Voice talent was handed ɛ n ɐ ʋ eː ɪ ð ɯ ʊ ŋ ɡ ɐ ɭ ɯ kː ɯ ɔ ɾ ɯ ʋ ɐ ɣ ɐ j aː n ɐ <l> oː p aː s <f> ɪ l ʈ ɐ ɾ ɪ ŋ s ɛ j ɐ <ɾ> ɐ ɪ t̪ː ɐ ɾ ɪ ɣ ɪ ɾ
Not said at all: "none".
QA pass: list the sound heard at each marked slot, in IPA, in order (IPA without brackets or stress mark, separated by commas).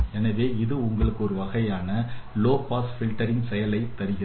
l, f, l